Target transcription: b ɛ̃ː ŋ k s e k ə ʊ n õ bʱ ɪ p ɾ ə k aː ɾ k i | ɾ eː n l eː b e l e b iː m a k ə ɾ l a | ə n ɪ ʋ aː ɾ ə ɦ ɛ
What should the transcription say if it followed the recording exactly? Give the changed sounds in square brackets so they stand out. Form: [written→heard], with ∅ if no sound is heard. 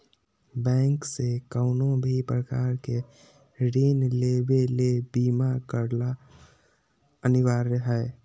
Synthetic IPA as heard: b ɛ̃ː ŋ k s e k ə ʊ n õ bʱ [ɪ→i] p ɾ ə k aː ɾ k [i→e] | ɾ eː n l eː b e l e b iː m a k ə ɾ l a | ə n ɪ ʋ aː ɾ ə ɦ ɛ